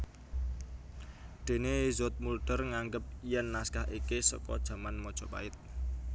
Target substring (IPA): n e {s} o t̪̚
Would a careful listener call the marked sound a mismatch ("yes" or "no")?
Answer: yes